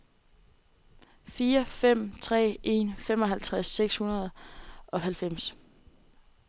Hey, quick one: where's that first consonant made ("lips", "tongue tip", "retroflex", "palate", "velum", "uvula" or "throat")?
lips